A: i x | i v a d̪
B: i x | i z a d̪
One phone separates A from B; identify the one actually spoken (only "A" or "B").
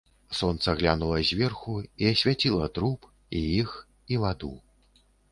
A